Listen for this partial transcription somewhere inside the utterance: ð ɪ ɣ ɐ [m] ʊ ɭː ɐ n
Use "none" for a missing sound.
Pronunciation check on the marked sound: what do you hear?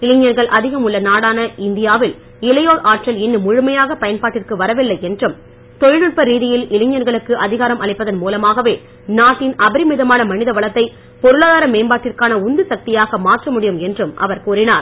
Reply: m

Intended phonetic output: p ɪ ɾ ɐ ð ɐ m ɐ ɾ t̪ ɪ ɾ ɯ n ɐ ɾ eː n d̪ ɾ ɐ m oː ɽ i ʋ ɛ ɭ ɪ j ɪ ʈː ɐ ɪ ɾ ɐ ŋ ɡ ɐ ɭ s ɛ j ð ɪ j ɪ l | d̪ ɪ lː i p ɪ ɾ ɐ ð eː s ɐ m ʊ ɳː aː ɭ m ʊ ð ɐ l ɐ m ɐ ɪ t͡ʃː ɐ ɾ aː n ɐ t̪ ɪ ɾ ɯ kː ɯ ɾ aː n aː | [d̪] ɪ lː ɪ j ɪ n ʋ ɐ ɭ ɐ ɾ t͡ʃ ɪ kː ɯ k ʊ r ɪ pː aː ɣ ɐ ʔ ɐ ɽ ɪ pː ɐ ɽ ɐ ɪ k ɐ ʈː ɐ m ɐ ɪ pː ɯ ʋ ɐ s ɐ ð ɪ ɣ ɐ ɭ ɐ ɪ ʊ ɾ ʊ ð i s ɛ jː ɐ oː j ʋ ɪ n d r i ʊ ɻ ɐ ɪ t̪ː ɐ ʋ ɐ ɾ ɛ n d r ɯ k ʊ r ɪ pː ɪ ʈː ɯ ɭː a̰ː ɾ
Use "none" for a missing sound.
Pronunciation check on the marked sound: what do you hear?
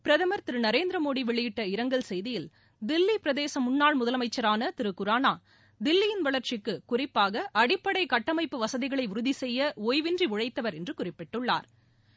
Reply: d̪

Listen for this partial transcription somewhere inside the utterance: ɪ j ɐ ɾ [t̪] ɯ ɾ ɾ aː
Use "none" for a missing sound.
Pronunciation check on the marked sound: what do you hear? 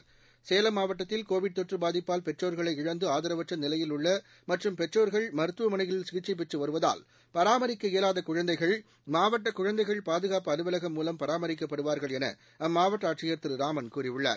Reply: t̪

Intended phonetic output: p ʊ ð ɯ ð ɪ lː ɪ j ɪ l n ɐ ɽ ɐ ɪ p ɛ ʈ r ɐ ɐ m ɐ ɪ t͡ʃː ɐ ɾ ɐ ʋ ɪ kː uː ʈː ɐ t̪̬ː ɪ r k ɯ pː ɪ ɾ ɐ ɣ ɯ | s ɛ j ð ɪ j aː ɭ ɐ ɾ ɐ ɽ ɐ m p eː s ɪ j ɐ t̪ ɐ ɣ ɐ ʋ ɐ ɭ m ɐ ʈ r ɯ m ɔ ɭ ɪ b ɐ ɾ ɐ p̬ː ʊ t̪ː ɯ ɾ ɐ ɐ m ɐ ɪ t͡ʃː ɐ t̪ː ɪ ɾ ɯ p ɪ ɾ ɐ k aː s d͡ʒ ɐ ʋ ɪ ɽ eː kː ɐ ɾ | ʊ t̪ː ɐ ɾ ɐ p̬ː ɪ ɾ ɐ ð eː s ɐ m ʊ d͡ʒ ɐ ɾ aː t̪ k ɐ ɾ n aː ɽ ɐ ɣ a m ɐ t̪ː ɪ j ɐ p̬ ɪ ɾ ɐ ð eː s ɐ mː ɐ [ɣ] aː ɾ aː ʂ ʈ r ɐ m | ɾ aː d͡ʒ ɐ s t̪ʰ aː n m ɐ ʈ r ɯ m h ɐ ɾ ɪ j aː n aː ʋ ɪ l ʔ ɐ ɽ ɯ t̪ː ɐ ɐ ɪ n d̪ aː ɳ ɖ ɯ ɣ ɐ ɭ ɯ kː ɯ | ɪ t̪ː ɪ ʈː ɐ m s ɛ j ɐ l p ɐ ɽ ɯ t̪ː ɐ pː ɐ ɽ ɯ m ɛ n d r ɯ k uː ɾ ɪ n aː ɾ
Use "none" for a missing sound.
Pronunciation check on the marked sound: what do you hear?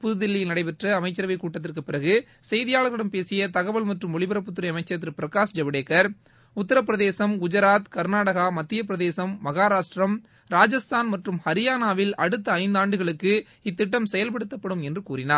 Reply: ɣ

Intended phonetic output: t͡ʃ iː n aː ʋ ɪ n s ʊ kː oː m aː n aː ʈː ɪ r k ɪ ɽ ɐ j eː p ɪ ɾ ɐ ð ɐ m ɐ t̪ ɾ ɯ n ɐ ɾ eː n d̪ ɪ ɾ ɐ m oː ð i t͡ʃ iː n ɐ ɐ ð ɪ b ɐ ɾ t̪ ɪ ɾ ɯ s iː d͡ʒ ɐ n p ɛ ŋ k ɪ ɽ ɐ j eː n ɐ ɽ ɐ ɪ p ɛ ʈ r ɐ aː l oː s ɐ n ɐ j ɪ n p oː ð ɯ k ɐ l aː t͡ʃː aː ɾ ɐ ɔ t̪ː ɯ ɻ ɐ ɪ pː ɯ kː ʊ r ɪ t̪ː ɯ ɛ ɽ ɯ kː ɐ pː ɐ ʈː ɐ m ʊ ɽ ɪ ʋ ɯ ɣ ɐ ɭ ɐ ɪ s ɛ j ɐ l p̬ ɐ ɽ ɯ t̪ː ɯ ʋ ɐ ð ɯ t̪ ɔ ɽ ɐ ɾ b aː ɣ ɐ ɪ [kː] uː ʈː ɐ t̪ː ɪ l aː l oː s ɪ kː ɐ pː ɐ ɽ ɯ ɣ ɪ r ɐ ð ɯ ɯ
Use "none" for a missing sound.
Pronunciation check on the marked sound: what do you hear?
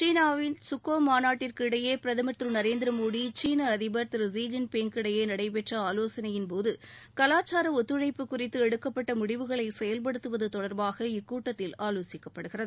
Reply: kː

